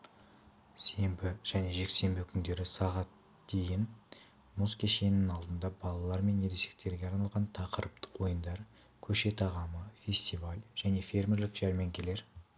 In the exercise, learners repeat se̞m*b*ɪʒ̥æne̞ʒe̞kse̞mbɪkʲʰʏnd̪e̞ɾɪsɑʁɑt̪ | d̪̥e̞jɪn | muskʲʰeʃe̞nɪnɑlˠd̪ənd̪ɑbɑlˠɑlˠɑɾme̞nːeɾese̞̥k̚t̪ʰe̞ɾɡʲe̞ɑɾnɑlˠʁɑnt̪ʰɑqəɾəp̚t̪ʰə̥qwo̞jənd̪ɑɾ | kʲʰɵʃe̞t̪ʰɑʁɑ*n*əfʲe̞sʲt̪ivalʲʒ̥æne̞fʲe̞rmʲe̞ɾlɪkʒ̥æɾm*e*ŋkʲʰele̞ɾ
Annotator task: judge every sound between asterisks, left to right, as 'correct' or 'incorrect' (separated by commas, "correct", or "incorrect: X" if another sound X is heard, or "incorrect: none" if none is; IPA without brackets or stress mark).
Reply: correct, incorrect: m, correct